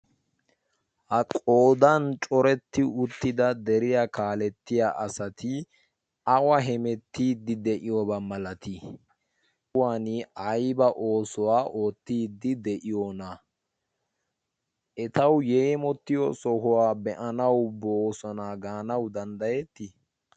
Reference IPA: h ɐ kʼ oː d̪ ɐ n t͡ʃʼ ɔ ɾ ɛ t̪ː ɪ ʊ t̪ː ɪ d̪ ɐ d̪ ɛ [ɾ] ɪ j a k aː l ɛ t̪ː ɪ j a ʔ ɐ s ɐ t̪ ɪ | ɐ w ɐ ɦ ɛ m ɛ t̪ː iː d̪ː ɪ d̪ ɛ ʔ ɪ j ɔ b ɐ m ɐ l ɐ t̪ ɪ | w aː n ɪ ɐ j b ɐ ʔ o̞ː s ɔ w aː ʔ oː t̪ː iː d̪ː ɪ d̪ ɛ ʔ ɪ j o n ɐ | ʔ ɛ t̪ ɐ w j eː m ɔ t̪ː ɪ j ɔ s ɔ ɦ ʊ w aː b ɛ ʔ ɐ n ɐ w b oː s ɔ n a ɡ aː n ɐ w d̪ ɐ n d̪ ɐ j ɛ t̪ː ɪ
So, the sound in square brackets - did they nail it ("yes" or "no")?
yes